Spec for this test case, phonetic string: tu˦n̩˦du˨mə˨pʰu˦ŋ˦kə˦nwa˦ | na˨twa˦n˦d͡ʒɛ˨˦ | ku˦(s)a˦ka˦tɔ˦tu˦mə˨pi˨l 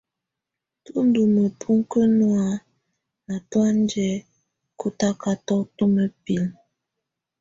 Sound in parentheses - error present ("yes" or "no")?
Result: yes